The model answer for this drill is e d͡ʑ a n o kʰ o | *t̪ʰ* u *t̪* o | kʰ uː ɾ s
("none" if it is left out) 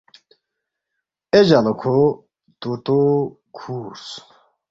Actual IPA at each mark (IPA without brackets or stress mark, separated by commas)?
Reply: t̪, t̪